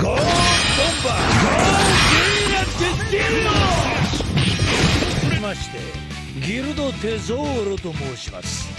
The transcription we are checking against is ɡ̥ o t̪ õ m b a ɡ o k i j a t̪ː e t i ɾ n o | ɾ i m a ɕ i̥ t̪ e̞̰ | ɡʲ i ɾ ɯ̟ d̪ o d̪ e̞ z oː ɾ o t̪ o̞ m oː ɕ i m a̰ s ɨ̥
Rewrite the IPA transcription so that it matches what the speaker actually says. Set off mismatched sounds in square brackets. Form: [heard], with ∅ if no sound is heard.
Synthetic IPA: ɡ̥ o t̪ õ m b a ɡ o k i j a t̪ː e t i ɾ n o | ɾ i m a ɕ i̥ t̪ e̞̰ | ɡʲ i ɾ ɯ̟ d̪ o [t̪] e̞ z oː ɾ o t̪ o̞ m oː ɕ i m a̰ s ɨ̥